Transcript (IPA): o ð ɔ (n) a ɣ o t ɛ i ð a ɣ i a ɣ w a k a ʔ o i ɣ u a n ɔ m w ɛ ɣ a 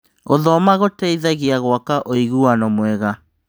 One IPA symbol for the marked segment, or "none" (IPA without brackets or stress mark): m